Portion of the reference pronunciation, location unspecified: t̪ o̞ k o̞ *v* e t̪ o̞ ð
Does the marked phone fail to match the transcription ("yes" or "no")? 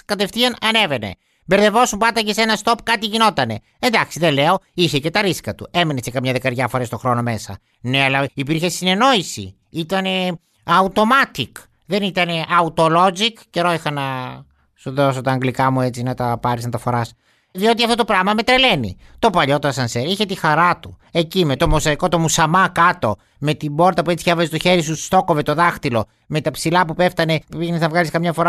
no